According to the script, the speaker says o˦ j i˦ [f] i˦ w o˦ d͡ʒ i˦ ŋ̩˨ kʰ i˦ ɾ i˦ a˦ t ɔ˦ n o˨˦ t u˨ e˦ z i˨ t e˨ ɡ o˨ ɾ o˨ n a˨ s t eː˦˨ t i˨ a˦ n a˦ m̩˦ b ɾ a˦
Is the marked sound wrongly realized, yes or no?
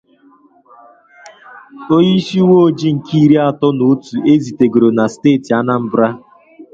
yes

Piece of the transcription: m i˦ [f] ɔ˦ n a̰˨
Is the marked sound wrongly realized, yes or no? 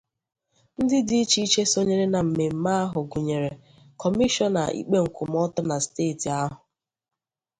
yes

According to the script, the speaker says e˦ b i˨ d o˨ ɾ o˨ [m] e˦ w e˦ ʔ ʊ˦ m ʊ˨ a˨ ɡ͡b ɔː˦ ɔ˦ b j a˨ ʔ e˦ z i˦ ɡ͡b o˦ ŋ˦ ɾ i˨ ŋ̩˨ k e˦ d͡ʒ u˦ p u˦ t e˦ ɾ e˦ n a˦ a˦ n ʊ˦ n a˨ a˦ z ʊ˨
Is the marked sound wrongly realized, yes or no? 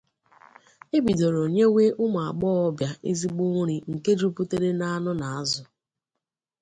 yes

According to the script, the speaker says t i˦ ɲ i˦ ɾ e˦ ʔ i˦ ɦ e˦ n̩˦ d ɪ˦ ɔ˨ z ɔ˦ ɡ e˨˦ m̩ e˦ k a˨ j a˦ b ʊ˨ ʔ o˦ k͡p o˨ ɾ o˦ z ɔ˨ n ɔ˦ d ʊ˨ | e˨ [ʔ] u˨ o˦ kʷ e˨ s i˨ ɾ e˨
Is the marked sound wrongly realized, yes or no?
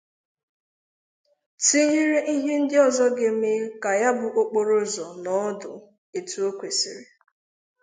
yes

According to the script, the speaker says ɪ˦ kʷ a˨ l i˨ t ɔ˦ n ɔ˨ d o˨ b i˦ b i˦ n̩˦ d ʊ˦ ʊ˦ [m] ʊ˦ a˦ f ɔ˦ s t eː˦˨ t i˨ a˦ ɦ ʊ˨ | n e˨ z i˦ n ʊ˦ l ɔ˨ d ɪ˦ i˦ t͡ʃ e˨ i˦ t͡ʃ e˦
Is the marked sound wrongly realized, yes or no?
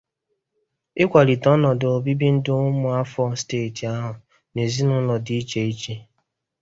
no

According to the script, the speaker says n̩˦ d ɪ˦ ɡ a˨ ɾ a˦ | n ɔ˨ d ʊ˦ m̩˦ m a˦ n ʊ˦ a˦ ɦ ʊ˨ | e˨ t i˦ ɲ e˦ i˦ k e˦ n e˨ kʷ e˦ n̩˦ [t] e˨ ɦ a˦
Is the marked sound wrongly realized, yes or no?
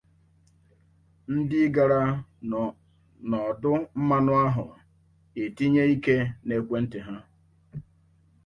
no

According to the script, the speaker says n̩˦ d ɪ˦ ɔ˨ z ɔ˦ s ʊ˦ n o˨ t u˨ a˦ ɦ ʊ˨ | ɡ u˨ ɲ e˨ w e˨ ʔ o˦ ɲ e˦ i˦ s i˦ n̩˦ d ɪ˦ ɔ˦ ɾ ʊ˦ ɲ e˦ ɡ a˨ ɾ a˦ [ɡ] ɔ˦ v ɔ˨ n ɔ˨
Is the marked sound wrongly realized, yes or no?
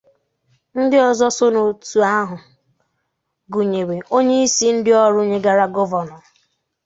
no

